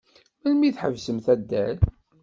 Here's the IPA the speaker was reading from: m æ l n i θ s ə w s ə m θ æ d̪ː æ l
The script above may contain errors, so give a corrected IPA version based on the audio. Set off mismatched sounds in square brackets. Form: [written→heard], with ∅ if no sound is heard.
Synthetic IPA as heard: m æ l [n→m] i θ [s→ħ] ə [w→v] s ə m θ æ d̪ː æ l